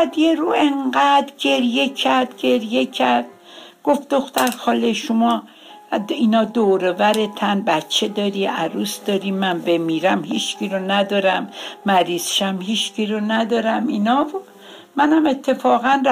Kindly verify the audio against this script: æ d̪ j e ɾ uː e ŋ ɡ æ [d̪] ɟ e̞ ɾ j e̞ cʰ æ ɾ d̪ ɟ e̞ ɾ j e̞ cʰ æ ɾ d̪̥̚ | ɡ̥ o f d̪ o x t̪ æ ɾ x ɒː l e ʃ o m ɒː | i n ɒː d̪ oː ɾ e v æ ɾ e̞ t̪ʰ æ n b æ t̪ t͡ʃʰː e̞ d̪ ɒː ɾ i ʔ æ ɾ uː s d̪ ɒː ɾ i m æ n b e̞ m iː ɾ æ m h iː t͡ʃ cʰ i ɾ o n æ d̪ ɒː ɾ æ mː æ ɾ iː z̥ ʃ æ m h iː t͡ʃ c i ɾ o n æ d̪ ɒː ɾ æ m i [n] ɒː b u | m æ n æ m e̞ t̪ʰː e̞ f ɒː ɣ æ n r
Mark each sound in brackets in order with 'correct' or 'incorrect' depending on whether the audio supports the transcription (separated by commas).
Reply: correct, correct